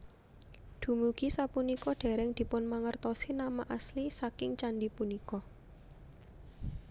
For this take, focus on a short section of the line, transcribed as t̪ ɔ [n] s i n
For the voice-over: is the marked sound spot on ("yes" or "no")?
no